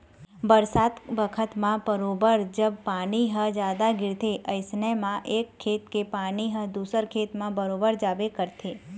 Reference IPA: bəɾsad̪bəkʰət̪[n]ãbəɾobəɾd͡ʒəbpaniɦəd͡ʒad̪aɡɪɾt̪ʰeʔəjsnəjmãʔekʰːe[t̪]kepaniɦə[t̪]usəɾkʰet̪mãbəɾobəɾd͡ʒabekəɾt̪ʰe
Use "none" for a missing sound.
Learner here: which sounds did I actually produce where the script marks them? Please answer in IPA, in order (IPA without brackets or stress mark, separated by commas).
m, t̪, d̪